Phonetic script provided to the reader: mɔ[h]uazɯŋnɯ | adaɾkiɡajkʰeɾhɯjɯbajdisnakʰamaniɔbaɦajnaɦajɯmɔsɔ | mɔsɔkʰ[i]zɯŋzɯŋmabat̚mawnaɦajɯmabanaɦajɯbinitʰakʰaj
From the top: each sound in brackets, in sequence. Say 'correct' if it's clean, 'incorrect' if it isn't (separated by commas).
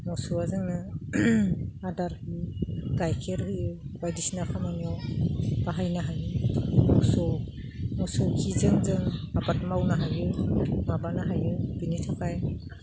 incorrect, correct